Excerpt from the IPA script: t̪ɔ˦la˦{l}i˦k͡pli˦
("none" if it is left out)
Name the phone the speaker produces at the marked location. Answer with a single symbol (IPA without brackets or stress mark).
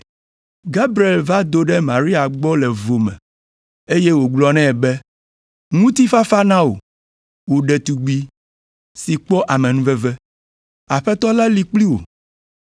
l